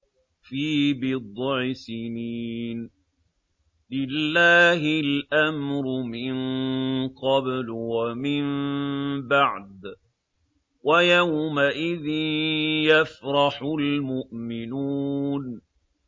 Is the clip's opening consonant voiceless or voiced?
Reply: voiceless